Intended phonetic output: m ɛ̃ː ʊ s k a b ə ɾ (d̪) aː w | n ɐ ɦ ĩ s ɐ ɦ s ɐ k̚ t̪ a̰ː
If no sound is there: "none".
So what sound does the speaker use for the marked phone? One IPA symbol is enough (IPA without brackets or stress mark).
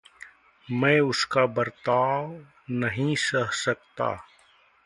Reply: t̪